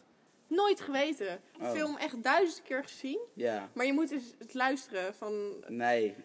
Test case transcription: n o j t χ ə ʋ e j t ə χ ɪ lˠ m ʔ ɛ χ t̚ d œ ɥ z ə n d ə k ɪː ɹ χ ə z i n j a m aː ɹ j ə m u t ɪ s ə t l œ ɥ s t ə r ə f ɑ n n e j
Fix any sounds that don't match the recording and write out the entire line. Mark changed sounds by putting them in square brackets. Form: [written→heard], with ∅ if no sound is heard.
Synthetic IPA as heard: n o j t χ ə ʋ e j t ə [χ→f] ɪ lˠ m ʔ ɛ χ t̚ d œ ɥ z ə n d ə k ɪː ɹ χ ə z i n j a m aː ɹ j ə m u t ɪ s ə t l œ ɥ s t ə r ə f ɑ n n e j